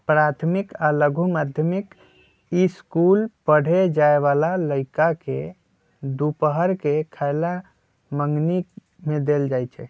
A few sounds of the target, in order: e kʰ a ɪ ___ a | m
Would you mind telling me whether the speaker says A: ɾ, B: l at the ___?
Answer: B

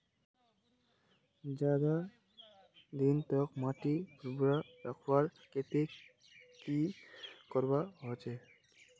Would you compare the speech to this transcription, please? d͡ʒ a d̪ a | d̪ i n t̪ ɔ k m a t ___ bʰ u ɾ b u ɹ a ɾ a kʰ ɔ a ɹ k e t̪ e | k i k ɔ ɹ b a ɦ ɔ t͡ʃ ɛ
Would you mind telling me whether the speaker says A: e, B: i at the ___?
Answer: B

